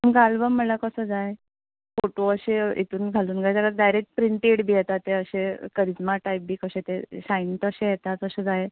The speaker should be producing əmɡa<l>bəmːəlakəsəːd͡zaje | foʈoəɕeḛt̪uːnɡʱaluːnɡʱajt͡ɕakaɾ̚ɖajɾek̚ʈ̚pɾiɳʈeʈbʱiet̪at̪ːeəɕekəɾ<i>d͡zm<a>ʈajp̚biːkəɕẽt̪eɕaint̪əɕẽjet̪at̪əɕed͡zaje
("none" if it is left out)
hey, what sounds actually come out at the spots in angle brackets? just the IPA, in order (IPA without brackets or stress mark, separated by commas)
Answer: l, i, a